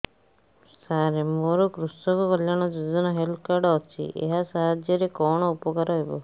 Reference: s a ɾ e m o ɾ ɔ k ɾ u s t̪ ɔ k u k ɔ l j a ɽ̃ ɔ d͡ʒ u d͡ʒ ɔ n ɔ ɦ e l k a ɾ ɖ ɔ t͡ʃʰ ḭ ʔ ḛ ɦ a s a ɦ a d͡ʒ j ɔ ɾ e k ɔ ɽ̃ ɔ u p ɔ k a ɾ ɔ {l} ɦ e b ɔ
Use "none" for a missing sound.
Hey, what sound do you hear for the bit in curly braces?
none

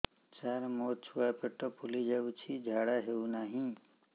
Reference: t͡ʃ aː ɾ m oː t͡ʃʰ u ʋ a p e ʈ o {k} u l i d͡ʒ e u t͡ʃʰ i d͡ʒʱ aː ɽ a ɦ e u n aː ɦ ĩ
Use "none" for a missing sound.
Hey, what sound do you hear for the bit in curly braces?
p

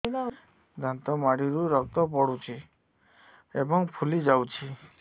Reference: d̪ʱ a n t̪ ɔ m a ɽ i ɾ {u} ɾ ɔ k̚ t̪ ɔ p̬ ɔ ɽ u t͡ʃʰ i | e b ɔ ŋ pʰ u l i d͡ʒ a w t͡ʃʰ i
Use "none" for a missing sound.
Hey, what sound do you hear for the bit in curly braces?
u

